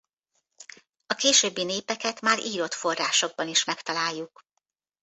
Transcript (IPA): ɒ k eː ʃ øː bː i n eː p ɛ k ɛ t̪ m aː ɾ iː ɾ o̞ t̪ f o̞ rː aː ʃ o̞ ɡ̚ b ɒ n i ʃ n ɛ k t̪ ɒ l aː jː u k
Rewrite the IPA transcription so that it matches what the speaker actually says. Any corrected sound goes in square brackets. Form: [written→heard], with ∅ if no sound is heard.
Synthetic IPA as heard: ɒ k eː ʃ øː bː i n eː p ɛ k ɛ t̪ m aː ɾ iː ɾ o̞ t̪ f o̞ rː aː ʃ o̞ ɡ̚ b ɒ n i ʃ [n→m] ɛ k t̪ ɒ l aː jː u k